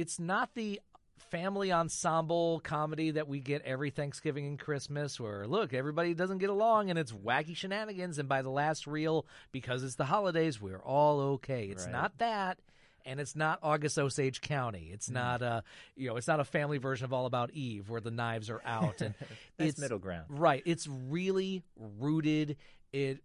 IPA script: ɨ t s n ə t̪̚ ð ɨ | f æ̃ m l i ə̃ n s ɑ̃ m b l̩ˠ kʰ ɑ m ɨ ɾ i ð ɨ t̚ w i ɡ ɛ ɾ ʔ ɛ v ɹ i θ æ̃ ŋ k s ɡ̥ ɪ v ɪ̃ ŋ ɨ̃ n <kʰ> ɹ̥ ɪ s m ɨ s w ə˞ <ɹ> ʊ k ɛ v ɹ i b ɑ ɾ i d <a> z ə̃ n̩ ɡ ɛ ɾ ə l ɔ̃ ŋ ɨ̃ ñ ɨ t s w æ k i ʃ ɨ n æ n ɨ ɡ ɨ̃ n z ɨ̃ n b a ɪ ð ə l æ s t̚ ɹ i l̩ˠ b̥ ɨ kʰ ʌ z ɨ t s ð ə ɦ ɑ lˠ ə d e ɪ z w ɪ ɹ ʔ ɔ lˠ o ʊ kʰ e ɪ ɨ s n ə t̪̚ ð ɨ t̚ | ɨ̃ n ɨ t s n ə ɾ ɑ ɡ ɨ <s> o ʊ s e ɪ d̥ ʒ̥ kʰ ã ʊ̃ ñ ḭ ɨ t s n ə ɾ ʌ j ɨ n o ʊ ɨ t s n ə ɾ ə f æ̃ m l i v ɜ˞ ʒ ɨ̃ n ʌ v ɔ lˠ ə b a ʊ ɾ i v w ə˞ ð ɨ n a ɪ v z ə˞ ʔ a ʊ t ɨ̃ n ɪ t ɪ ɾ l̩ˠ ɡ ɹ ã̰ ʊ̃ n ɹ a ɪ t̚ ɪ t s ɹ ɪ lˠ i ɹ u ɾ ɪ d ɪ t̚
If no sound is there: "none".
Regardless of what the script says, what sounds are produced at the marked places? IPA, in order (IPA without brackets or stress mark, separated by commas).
kʰ, l, ʌ, s